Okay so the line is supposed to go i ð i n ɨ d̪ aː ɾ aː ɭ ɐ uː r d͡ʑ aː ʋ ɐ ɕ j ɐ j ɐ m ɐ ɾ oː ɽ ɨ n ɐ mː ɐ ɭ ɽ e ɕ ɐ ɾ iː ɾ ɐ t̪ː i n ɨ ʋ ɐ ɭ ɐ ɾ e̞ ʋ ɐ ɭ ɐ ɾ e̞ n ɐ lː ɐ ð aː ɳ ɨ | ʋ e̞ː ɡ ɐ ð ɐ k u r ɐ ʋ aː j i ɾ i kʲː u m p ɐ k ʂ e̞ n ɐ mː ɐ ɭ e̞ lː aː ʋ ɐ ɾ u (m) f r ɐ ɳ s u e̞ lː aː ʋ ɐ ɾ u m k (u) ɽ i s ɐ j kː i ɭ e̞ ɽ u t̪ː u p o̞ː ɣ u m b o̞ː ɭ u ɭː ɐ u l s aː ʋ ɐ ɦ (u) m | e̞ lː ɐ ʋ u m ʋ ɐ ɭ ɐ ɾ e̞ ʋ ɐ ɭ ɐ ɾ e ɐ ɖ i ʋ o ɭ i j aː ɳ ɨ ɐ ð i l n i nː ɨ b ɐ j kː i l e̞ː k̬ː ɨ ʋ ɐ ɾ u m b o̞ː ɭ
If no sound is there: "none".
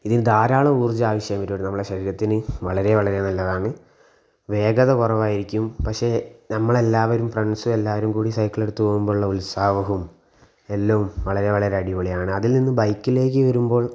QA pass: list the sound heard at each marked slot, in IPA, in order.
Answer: m, uː, u

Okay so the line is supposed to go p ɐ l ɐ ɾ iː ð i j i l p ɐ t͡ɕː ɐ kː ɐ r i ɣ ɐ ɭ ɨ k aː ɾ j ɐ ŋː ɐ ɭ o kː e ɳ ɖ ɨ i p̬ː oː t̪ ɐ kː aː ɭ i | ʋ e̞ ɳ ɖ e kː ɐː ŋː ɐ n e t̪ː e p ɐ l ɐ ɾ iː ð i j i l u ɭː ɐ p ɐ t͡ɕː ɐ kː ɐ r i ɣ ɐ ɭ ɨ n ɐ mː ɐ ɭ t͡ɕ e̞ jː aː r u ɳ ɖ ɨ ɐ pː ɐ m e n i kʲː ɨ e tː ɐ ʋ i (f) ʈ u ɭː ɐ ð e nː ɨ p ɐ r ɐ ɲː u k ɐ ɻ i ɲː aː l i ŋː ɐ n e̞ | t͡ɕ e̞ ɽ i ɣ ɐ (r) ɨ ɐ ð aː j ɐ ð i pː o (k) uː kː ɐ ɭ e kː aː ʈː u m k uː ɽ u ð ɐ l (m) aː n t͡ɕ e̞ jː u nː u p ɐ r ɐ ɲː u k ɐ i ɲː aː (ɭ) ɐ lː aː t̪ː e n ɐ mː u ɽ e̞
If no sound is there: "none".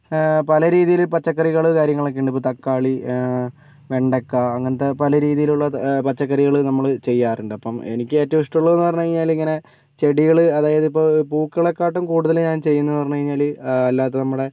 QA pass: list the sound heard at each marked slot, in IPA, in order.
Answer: ʂ, ɭ, p, ɲ, l

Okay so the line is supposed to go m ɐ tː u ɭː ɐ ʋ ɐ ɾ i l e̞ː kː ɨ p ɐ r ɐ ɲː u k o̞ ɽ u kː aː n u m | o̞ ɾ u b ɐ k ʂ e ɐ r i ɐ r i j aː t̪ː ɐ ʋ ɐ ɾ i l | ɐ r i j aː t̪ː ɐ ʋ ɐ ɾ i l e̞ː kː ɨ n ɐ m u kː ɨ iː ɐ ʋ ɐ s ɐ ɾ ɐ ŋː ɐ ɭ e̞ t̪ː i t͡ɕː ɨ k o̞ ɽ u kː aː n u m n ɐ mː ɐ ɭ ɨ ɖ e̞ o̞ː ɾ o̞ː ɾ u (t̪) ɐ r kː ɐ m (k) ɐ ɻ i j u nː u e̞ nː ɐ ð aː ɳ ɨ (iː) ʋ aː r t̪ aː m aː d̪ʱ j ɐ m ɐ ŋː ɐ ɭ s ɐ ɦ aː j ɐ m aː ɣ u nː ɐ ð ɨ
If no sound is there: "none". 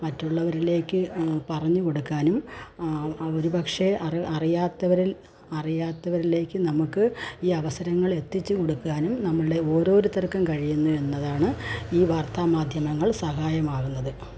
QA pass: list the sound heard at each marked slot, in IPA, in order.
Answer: t̪, k, iː

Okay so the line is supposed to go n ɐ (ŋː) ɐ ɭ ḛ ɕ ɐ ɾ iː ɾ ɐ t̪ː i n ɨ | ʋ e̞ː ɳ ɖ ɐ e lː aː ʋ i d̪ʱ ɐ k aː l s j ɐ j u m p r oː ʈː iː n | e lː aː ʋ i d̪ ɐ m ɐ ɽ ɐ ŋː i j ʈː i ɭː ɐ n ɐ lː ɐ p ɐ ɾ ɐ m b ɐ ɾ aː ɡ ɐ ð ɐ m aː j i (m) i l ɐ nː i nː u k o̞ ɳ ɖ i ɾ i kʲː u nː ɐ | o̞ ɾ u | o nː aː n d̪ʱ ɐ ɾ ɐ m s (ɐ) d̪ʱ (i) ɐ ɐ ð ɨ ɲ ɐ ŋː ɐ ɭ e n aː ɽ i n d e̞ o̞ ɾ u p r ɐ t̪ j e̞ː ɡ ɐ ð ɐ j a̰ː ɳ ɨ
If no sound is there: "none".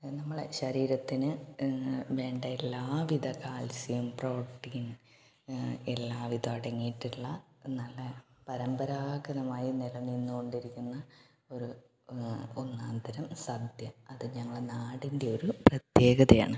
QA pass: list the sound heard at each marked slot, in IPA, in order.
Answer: mː, n, ɐ, j

